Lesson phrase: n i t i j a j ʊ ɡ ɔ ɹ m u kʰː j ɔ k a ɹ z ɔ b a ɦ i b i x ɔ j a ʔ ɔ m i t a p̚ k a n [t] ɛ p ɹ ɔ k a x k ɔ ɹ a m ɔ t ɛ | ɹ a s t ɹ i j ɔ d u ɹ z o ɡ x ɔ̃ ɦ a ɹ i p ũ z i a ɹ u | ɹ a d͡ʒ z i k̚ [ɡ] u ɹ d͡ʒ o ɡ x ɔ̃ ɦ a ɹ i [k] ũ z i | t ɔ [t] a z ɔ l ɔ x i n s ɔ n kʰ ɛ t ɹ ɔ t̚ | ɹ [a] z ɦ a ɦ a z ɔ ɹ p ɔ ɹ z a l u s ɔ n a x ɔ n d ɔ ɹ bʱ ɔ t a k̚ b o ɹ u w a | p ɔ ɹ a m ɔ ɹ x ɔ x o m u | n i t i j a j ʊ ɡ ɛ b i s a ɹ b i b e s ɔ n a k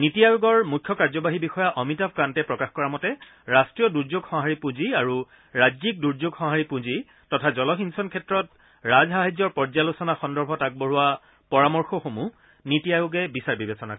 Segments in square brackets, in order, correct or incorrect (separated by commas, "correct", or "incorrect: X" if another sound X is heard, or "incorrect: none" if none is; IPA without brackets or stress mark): correct, incorrect: d, incorrect: p, incorrect: tʰ, correct